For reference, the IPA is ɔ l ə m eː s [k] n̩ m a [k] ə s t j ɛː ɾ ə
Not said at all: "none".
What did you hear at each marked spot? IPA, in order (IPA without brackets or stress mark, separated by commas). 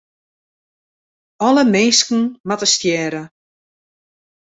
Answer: k, t